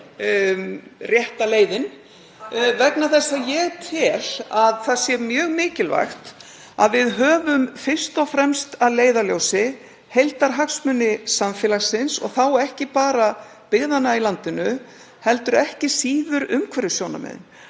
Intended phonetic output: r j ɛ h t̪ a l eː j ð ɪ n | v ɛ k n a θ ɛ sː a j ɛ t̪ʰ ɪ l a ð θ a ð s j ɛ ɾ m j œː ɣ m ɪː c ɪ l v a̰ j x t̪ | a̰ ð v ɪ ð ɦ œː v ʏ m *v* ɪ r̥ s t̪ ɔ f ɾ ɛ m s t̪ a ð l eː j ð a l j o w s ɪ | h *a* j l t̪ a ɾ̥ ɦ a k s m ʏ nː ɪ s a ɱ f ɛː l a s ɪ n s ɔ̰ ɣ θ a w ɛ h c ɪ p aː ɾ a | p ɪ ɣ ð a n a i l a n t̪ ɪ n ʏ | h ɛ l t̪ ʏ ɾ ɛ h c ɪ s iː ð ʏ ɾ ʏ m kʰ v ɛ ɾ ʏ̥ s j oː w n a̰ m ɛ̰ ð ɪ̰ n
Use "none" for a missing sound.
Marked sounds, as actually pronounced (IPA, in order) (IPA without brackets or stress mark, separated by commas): f, e